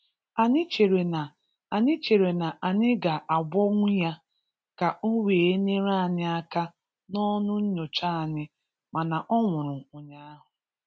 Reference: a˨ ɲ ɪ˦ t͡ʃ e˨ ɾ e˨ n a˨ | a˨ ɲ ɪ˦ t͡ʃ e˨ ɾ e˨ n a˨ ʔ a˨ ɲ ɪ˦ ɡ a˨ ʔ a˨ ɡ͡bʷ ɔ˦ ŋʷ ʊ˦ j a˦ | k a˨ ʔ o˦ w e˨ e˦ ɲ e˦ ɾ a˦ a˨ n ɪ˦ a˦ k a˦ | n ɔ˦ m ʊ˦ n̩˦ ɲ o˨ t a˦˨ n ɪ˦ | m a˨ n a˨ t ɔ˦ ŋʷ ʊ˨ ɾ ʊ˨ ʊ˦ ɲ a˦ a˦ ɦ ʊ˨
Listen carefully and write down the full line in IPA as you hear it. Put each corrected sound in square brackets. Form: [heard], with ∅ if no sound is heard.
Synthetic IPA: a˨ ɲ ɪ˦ t͡ʃ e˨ ɾ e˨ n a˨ | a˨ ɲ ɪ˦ t͡ʃ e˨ ɾ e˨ n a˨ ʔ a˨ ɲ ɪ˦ ɡ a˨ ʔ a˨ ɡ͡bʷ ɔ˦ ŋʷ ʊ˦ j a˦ | k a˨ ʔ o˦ w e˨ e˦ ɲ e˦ ɾ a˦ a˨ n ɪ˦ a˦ k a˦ | n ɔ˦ [n] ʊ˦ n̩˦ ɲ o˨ [t͡ʃ] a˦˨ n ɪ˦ | m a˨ n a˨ [ʔ] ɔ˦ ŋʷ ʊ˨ ɾ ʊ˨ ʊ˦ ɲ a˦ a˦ ɦ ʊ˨